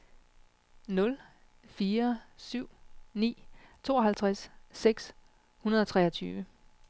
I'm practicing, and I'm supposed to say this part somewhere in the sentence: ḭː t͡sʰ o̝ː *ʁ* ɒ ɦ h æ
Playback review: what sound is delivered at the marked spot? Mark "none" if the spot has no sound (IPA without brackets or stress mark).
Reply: none